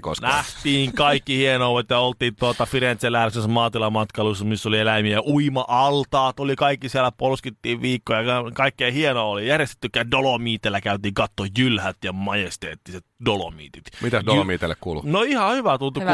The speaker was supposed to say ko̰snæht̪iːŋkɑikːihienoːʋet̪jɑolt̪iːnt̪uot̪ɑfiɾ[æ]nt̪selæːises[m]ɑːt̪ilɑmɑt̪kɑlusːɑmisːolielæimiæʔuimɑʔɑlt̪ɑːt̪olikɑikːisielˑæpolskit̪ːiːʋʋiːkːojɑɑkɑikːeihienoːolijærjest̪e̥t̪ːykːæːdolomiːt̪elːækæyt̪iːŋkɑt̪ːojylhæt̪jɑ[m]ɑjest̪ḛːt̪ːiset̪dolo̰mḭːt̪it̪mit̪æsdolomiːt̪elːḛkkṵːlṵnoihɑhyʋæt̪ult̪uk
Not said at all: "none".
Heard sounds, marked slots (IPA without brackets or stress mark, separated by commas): e, m, m